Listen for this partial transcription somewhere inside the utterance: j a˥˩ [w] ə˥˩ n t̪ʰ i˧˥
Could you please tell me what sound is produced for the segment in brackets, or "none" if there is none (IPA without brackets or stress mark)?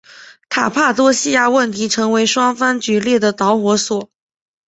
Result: w